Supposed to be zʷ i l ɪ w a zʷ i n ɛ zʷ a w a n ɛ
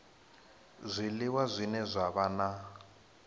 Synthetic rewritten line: zʷ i l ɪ w a zʷ i n ɛ zʷ a β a n a